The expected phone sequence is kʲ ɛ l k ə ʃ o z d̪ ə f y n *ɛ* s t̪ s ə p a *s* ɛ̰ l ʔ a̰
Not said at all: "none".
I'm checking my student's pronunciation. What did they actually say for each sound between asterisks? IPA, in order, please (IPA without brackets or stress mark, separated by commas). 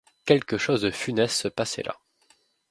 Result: ɛ, s